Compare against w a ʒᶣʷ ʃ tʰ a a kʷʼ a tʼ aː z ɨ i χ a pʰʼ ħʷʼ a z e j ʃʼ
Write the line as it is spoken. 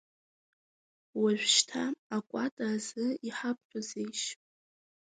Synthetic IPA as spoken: w a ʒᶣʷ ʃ tʰ a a kʷʼ a tʼ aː z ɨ i ħ a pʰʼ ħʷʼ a z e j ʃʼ